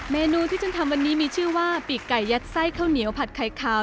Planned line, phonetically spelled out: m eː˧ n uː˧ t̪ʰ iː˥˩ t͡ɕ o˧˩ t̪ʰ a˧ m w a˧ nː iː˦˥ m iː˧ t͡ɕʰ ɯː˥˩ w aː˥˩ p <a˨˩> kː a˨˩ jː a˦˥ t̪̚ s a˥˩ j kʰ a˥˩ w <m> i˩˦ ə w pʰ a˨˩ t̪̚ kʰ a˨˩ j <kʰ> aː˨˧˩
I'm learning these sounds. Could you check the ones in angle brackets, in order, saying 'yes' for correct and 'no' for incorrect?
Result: no, no, yes

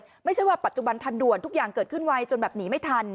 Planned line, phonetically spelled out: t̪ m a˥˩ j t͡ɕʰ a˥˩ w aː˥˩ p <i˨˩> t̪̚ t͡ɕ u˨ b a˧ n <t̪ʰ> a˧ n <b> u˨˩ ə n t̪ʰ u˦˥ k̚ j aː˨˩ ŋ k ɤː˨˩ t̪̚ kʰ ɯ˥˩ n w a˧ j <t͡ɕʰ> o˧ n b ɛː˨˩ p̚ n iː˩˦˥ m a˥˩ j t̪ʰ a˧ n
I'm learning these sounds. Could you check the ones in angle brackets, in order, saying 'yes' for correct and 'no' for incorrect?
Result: no, yes, no, no

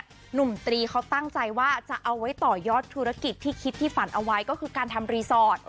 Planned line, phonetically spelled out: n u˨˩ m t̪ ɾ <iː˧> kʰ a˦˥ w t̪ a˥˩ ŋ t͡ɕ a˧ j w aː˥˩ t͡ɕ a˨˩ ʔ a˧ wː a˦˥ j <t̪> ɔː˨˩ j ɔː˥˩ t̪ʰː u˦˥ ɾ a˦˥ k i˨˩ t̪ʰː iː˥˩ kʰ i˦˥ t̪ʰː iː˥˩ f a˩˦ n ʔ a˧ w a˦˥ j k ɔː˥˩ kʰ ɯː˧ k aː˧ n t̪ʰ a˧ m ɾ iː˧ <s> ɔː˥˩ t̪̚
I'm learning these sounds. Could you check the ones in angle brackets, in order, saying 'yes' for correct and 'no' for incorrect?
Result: yes, yes, yes

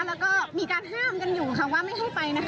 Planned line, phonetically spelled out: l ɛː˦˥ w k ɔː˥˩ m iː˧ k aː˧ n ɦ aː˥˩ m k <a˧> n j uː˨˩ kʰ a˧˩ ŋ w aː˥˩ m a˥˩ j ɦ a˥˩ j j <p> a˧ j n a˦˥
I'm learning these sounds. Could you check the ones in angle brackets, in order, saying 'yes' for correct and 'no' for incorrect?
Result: yes, yes

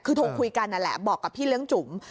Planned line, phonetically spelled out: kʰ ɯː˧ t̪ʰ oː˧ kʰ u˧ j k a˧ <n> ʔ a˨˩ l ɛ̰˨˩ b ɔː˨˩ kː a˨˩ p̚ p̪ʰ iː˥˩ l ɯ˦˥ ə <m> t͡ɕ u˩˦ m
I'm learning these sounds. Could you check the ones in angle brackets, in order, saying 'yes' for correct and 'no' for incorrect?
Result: yes, no

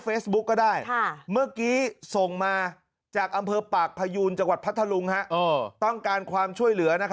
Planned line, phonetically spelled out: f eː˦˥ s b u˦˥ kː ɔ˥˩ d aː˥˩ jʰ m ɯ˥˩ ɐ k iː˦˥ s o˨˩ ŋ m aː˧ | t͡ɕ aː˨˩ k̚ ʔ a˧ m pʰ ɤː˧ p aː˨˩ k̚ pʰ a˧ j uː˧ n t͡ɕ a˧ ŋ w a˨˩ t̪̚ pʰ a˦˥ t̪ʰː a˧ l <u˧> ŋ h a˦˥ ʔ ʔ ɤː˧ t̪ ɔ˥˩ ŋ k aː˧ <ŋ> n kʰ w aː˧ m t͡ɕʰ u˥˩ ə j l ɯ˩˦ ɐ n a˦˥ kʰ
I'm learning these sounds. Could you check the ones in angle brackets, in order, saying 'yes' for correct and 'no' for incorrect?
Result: yes, no

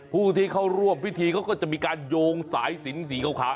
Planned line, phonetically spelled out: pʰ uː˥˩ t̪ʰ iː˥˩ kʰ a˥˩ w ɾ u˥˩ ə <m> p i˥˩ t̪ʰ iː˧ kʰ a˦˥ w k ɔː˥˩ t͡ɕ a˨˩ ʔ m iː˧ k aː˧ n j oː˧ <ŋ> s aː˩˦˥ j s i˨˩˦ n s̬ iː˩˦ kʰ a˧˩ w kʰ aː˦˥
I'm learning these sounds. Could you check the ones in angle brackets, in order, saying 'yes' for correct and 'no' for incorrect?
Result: yes, yes

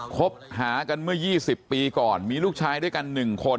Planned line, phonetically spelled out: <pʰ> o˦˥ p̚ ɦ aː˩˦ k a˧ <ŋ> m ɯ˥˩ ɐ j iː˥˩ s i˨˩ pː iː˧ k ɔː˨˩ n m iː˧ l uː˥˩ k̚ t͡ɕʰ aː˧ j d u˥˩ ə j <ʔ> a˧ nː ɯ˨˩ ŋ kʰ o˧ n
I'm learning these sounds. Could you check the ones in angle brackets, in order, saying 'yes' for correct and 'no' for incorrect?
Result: no, no, no

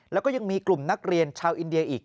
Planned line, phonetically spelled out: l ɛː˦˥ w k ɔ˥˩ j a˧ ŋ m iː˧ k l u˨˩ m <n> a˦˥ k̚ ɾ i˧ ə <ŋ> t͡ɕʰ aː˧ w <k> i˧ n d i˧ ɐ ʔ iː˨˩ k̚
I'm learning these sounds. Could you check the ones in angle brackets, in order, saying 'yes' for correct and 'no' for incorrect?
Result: yes, no, no

